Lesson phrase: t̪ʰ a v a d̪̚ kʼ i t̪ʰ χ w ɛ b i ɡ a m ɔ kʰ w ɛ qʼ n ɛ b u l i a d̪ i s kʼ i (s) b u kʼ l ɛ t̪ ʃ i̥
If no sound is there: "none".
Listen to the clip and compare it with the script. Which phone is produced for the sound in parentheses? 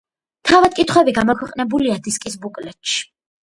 s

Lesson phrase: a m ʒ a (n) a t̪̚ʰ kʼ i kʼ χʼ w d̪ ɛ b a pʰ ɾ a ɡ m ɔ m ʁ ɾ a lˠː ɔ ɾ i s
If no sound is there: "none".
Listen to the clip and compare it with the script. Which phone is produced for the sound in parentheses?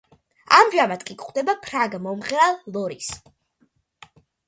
m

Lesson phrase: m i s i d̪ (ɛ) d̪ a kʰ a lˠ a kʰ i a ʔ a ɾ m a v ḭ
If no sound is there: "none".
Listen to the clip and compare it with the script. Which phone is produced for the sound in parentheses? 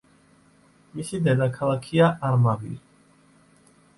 ɛ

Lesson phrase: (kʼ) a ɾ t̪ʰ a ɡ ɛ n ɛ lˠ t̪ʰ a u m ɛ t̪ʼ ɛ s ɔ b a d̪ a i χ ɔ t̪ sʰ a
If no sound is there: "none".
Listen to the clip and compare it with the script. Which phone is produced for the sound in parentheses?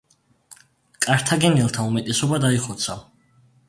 kʼ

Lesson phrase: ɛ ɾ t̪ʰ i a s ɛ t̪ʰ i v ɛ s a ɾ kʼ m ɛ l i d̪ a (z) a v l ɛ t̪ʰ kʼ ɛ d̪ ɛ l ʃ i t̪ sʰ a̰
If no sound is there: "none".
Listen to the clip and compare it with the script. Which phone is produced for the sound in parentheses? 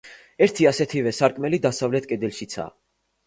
s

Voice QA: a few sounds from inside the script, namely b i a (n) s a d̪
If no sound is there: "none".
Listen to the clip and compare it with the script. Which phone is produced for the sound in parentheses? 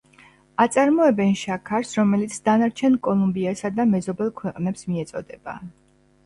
none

